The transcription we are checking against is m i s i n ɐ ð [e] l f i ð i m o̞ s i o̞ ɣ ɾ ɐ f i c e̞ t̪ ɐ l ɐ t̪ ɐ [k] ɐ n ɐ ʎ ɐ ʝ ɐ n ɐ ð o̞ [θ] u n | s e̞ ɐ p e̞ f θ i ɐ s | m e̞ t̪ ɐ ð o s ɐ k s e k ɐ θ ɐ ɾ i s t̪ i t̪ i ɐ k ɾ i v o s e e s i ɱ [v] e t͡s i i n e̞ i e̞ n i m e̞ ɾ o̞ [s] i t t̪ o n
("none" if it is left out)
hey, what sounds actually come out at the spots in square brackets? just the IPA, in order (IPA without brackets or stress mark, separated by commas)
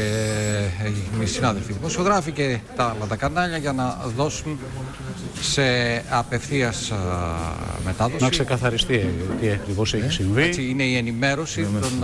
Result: e, k, s, v, s